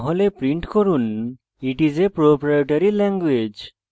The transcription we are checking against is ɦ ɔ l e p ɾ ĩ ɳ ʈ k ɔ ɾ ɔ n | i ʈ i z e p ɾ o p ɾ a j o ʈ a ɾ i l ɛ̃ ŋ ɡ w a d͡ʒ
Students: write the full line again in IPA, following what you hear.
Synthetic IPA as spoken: ɦ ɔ l e p ɾ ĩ ɳ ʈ k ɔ ɾ u n | i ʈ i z e p ɾ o p ɾ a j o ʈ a ɾ i l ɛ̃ ŋ ɡ w e d͡ʒ